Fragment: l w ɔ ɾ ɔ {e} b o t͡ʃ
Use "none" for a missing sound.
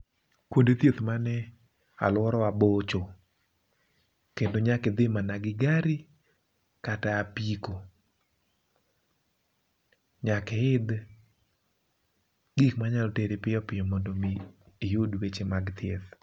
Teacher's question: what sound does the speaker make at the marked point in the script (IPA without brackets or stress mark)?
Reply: a